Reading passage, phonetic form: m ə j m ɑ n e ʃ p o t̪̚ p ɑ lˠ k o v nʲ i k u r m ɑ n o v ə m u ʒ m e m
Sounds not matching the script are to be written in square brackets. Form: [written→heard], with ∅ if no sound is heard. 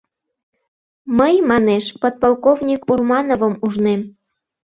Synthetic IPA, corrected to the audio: m ə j m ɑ n e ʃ p o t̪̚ p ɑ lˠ k o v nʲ i k u r m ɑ n o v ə m u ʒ [m→n] e m